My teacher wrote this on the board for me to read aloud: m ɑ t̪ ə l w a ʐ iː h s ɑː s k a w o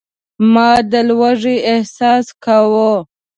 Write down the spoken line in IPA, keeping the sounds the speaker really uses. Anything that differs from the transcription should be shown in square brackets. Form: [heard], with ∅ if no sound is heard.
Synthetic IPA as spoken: m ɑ [d̪] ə l w a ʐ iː h s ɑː s k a w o